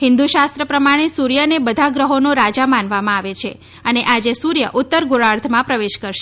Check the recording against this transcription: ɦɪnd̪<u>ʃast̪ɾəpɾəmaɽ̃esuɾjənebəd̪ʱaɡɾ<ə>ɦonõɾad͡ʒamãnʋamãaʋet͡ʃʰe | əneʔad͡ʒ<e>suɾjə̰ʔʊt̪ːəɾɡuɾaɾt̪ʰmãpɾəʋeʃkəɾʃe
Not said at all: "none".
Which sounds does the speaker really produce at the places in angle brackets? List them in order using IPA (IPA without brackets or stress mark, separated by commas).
u, ə, e